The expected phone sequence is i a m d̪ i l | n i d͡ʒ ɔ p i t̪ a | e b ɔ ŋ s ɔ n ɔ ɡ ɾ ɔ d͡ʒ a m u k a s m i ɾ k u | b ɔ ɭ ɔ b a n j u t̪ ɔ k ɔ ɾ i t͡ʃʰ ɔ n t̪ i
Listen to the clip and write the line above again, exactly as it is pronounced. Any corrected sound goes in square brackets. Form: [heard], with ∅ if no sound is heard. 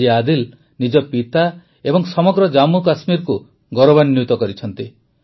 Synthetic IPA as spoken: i a [∅] d̪ i l | n i d͡ʒ ɔ p i t̪ a | e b ɔ ŋ s ɔ [m] ɔ ɡ ɾ ɔ d͡ʒ a m u k a s m i ɾ k u | [ɡ] ɔ [ɾ] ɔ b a n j u t̪ ɔ k ɔ ɾ i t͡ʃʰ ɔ n t̪ i